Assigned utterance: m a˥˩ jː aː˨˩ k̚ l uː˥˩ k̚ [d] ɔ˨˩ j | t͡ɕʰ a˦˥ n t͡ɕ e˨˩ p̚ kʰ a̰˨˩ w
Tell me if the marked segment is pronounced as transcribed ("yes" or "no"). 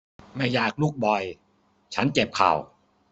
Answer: no